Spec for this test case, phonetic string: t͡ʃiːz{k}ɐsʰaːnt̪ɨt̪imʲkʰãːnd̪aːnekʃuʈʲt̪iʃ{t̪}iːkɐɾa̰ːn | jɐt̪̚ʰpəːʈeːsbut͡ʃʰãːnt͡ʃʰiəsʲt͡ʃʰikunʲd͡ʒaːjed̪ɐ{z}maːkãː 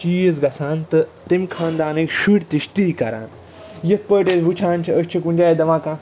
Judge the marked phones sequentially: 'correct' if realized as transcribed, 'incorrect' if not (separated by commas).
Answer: incorrect, correct, incorrect